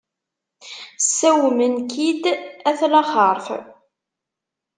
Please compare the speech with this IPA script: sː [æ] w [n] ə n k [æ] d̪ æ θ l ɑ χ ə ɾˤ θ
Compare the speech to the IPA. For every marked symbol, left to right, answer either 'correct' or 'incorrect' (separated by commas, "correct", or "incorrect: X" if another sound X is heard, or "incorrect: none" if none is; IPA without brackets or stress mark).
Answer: correct, incorrect: m, incorrect: i